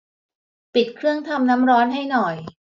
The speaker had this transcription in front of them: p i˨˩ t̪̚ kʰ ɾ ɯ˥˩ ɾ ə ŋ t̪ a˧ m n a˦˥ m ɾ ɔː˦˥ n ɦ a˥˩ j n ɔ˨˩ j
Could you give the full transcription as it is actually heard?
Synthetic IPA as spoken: p i˨˩ t̪̚ kʰ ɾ ɯ˥˩ ə ŋ t̪ʰ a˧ m n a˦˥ m ɾ ɔː˦˥ n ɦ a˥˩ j n ɔ˨˩ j